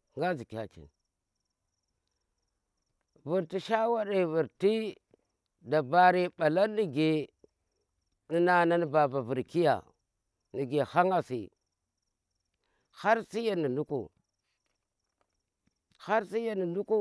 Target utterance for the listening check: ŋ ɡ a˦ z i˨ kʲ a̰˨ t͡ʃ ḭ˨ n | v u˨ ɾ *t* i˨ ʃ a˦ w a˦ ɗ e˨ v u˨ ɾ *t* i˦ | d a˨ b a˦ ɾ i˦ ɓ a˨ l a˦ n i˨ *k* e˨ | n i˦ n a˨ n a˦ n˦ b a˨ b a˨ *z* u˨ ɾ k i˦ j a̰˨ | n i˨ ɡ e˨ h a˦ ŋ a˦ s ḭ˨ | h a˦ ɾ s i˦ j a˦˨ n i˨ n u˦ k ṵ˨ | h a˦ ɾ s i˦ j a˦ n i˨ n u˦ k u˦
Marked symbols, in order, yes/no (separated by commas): yes, yes, no, no